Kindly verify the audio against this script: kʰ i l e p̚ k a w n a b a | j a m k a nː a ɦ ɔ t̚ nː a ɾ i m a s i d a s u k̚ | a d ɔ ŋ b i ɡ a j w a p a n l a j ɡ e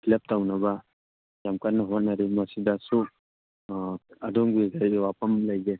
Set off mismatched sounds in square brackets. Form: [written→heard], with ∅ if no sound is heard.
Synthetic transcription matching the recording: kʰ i l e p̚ [k→t] a w n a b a | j a m k a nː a ɦ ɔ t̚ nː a ɾ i m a s i d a s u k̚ | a d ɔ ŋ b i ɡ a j w a p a [n→m] l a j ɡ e